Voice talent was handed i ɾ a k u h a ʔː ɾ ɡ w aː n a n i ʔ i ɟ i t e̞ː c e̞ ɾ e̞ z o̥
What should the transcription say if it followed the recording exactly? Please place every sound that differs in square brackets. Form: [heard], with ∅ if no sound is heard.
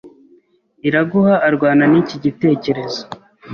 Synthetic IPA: i ɾ a [ɡ] u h a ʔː ɾ ɡ w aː n a n i [c] i ɟ i t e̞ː c e̞ ɾ e̞ z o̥